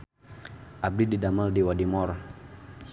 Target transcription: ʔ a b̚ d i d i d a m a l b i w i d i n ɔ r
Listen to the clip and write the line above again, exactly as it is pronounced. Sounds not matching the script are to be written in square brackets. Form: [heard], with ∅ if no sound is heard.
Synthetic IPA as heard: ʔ a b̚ d i d i d a m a l [d] i w [a] d i [m] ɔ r